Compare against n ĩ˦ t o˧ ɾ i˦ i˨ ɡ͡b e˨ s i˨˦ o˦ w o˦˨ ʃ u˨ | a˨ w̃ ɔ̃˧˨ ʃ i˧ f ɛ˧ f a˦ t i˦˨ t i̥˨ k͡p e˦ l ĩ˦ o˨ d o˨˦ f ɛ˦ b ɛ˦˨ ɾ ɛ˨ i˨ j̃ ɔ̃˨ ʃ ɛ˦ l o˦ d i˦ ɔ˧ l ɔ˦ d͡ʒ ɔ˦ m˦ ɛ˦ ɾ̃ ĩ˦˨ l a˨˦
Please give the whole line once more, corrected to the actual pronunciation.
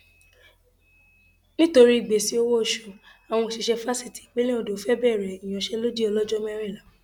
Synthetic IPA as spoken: n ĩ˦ t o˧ ɾ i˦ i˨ ɡ͡b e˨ s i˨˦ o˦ w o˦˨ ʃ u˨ | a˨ w̃ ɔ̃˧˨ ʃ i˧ ʃ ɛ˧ f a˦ s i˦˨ t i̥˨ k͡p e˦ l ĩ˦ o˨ d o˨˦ f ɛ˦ b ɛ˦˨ ɾ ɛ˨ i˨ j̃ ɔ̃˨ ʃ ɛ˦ l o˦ d͡ʒ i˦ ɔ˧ l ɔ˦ d͡ʒ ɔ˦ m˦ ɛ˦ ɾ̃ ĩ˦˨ l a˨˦

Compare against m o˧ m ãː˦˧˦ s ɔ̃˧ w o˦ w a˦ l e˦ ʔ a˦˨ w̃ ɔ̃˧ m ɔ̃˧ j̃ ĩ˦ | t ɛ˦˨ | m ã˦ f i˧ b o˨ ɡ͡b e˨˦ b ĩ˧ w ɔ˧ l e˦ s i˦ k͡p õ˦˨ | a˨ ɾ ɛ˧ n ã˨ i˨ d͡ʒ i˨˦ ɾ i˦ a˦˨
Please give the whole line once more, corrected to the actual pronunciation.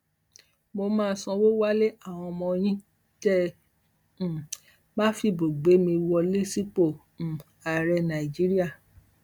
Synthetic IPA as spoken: m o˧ m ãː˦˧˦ s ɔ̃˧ w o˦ w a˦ l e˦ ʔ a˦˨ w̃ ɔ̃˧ m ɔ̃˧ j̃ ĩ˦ | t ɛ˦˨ | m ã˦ f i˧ b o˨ ɡ͡b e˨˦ m ĩ˧ w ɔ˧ l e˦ s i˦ k͡p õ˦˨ | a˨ ɾ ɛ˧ n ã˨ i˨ d͡ʒ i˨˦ ɾ i˦ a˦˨

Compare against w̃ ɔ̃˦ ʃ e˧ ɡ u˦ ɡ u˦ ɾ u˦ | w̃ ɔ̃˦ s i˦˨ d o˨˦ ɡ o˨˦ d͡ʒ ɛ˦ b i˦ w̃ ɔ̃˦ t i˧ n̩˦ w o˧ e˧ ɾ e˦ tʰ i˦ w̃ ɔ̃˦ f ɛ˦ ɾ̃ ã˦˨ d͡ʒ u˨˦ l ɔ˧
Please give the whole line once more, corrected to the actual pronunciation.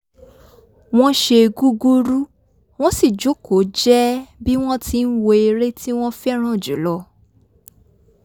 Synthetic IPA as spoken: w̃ ɔ̃˦ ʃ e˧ ɡ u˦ ɡ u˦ ɾ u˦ | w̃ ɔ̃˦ s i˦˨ d͡ʒ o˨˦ k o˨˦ d͡ʒ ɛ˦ b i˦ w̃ ɔ̃˦ t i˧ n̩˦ w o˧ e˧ ɾ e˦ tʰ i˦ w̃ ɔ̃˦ f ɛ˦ ɾ̃ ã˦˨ d͡ʒ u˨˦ l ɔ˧

